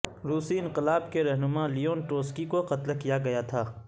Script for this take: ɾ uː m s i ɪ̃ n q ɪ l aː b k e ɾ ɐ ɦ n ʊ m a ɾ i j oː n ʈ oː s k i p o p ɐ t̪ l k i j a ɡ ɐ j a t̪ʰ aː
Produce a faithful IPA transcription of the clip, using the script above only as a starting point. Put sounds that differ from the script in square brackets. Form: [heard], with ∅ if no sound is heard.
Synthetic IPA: ɾ uː [∅] s i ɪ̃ n q ɪ l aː b k e ɾ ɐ ɦ n ʊ m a [l] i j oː n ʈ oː s k i [k] o [q] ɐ t̪ l k i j a ɡ ɐ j a t̪ʰ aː